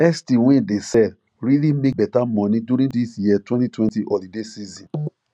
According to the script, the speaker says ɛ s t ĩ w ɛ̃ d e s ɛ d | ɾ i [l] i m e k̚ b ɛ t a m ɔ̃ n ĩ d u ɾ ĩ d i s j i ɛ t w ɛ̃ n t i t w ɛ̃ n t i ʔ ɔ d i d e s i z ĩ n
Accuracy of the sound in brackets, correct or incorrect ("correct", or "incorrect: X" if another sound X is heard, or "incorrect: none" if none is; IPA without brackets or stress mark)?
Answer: correct